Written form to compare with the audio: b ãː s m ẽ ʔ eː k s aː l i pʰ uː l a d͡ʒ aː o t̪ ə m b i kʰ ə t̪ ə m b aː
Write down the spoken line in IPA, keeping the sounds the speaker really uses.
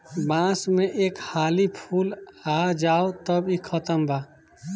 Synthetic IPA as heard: b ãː s m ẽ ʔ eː k h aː l i pʰ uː l a d͡ʒ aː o t̪ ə b i kʰ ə t̪ ə m b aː